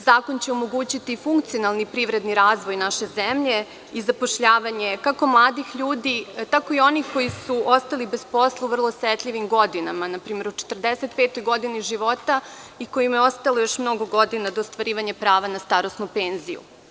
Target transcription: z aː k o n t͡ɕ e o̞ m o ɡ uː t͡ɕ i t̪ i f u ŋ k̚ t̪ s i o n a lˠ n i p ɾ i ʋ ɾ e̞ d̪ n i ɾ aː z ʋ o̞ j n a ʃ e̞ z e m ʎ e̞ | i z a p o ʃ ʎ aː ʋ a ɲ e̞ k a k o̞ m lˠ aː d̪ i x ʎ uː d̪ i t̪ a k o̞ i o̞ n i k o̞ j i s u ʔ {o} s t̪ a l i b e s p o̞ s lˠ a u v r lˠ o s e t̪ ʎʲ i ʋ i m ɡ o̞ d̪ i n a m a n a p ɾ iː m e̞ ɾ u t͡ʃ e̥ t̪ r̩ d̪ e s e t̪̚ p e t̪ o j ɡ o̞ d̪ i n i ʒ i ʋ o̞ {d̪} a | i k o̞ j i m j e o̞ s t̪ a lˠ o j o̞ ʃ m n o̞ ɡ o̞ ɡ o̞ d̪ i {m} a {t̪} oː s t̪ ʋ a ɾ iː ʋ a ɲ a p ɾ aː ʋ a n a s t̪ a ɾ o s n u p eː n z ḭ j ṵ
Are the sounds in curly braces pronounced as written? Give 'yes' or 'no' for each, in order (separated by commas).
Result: yes, no, no, no